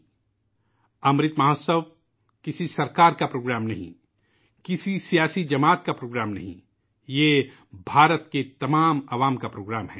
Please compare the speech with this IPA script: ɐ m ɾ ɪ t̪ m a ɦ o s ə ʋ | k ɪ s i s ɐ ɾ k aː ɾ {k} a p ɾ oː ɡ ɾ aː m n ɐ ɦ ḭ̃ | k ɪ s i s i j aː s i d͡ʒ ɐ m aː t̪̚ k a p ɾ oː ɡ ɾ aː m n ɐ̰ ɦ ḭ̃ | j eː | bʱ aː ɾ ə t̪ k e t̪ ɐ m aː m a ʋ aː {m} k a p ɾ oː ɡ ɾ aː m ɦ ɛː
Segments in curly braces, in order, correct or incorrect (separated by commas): correct, correct